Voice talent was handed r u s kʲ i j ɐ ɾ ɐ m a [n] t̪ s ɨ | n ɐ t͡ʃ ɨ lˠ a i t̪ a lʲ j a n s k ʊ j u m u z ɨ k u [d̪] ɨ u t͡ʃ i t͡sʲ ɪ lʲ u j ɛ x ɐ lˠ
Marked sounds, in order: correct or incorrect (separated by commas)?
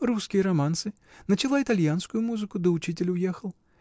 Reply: correct, correct